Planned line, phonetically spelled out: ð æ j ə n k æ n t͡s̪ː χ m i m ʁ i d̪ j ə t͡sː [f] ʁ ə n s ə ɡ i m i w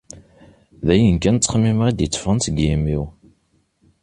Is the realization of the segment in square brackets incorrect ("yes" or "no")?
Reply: no